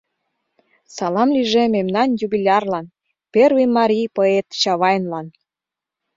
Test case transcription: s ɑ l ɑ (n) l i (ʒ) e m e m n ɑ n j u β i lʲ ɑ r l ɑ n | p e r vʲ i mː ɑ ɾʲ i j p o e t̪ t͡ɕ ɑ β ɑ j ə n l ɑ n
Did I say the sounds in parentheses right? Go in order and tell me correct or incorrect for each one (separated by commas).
incorrect, correct